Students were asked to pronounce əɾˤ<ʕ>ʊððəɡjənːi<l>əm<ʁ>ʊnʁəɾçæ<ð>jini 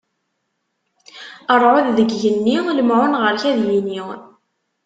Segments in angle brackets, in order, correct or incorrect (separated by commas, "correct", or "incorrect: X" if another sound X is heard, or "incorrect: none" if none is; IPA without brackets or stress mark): correct, correct, incorrect: ʕ, correct